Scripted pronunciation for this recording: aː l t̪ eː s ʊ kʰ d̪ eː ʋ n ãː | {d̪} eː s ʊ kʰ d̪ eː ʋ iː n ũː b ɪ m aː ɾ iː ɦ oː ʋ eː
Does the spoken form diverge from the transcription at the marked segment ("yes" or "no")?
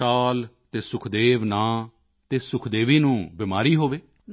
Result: yes